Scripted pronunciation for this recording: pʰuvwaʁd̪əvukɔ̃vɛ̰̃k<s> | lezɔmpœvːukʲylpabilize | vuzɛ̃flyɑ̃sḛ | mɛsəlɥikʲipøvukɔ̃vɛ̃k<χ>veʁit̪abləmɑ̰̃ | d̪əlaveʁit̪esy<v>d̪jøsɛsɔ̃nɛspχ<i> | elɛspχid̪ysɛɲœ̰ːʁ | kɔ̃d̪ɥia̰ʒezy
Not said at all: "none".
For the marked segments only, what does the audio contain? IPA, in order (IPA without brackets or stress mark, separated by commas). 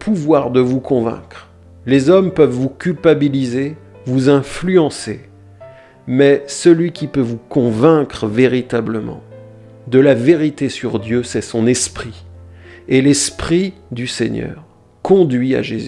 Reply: χ, χ, ʁ, i